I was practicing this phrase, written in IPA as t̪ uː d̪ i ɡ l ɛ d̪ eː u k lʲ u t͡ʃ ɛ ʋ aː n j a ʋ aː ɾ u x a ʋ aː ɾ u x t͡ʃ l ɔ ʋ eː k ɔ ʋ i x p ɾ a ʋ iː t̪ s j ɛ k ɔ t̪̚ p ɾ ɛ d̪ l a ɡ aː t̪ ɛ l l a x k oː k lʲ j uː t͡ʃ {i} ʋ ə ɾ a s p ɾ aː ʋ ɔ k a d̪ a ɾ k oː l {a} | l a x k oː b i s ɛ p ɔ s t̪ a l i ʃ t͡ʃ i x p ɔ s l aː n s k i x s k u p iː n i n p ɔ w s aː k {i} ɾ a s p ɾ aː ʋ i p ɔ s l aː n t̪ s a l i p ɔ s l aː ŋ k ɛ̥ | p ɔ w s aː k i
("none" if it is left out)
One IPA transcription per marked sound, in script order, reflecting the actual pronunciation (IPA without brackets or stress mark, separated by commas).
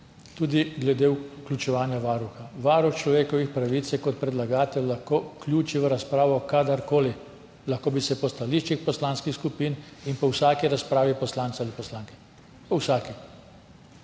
i, i, i